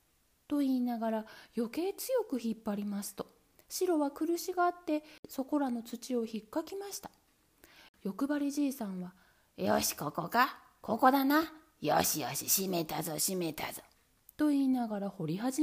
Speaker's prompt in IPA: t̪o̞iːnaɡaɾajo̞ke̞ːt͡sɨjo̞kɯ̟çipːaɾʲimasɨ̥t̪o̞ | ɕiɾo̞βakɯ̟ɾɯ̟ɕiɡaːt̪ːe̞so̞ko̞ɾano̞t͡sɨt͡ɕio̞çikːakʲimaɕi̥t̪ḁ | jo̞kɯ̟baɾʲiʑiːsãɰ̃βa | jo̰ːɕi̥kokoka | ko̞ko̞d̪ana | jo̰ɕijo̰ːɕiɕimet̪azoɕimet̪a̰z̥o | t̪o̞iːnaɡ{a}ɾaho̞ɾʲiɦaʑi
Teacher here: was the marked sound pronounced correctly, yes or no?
yes